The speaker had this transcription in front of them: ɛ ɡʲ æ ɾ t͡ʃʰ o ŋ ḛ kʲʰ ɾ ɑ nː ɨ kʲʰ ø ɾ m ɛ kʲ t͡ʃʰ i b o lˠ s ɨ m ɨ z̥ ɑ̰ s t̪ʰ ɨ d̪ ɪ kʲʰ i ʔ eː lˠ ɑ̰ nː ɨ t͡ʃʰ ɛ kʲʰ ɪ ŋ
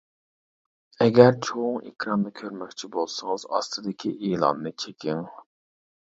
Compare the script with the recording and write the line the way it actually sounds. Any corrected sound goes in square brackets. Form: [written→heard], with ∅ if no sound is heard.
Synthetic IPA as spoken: ɛ ɡʲ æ ɾ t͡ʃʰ o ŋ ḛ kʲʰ ɾ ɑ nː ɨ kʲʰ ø ɾ m ɛ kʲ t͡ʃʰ i b o lˠ s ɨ [m→ŋ] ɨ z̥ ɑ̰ s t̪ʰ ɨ d̪ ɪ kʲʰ i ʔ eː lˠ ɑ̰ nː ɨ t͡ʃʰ [ɛ→e] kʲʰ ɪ ŋ